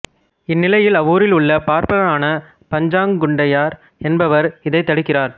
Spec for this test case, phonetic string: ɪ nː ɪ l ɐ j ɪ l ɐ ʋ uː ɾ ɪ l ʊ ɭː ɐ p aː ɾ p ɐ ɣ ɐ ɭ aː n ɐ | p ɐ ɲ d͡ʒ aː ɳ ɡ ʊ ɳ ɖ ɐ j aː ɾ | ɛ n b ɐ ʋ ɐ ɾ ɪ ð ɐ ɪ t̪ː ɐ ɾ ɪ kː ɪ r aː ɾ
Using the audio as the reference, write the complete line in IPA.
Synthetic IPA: ɪ nː ɪ l ɐ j ɪ l ɐ ʋ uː ɾ ɪ l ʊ ɭː ɐ p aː ɾ p ɐ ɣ ɐ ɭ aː n ɐ | p ɐ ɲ d͡ʒ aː ŋ ɡ ʊ ɳ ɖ ɐ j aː ɾ | ɛ n b ɐ ʋ ɐ ɾ ɪ ð ɐ ɪ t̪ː ɐ ɽ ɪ kː ɪ r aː ɾ